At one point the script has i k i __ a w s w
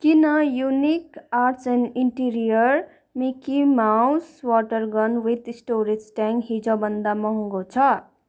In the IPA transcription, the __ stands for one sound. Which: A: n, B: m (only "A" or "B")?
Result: B